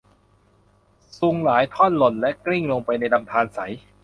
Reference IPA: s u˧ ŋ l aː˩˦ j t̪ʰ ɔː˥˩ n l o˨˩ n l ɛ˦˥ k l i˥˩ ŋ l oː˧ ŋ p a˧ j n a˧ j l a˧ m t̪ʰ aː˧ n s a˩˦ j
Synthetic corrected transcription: s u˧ ŋ l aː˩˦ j t̪ʰ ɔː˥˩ n l o˨˩ n l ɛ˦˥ k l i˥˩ ŋ l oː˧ ŋ p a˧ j n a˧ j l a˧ m t̪ʰ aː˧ n s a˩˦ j